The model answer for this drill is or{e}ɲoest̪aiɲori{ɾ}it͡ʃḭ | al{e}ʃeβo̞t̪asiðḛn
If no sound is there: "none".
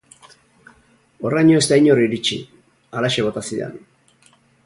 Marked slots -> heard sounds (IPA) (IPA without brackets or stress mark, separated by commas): a, ɾ, a